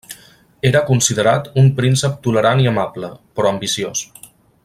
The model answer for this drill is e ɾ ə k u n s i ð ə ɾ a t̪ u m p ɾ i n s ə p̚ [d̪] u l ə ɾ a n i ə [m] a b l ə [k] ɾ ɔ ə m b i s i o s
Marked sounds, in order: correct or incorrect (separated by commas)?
incorrect, correct, incorrect